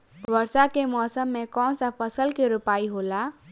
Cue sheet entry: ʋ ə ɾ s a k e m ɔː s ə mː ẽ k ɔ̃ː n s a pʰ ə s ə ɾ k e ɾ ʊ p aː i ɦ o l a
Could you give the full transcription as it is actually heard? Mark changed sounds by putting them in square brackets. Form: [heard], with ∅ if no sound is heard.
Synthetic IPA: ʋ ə ɾ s a k e m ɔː s ə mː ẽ k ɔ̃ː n s a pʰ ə s ə [l] k e ɾ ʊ p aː i ɦ o l a